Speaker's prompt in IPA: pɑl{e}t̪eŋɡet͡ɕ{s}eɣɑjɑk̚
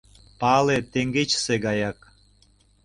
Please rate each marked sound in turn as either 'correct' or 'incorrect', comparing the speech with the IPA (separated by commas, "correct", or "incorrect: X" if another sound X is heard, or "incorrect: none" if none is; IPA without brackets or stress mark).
correct, correct